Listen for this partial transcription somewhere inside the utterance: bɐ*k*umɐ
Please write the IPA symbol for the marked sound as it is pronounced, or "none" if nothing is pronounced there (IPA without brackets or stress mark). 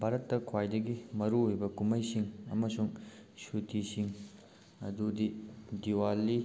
k